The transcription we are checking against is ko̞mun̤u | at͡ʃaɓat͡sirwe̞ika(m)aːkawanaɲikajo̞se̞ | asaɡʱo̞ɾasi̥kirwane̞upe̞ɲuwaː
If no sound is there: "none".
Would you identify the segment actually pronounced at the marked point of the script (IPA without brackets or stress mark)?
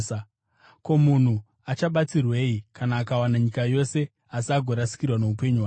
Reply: n